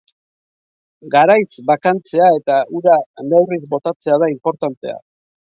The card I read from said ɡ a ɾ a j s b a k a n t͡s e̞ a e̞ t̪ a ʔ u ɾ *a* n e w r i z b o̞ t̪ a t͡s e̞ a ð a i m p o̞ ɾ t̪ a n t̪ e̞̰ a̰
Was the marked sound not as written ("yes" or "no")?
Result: no